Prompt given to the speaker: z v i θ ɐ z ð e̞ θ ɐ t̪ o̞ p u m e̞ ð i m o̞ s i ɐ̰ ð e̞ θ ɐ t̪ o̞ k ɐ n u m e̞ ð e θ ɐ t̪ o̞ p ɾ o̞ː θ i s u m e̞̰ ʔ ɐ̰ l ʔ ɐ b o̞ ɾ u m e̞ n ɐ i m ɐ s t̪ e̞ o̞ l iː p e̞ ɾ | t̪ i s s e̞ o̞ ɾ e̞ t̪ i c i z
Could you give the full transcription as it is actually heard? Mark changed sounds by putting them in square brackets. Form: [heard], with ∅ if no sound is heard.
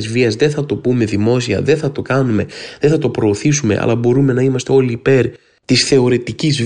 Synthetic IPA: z v i [∅] ɐ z ð e̞ θ ɐ t̪ o̞ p u m e̞ ð i m o̞ s i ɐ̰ ð e̞ θ ɐ t̪ o̞ k ɐ n u m e̞ ð e θ ɐ t̪ o̞ p ɾ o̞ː θ i s u m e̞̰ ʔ ɐ̰ l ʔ ɐ b o̞ ɾ u m e̞ n ɐ i m ɐ s t̪ e̞ o̞ l iː p e̞ ɾ | t̪ i s [θ] e̞ o̞ ɾ e̞ t̪ i c i z